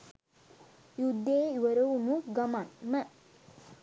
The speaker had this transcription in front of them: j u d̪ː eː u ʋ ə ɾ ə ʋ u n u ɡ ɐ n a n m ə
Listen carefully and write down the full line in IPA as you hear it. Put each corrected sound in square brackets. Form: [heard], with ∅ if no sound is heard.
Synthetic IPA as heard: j u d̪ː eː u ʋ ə ɾ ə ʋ u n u ɡ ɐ [m] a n m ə